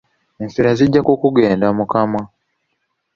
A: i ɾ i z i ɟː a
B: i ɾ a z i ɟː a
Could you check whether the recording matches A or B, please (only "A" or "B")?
B